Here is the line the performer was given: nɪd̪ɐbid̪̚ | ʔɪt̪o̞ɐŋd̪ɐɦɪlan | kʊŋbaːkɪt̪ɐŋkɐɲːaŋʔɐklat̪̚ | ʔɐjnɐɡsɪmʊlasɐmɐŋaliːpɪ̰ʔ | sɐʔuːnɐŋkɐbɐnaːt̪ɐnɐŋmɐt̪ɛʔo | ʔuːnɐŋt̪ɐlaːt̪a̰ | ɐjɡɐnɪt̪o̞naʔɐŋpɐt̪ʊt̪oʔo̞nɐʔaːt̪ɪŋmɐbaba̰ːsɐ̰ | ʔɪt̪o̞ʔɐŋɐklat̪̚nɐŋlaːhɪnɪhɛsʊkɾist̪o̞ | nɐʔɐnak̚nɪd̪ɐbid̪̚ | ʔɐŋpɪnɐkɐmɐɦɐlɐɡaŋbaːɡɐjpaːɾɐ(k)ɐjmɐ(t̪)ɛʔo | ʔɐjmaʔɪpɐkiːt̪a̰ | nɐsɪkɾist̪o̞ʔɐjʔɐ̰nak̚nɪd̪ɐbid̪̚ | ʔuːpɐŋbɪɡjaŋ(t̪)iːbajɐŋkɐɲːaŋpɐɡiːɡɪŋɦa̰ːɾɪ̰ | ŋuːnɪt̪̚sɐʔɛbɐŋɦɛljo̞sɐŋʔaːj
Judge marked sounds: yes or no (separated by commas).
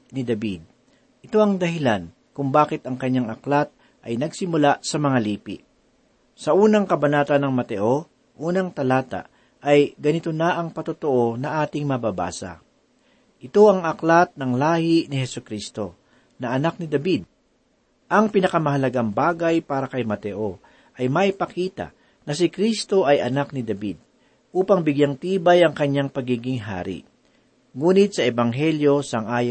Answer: yes, yes, yes